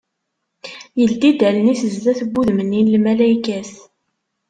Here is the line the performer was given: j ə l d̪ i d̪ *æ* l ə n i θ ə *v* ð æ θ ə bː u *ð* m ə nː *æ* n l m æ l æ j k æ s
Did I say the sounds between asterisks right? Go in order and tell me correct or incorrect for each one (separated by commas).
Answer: correct, incorrect, correct, incorrect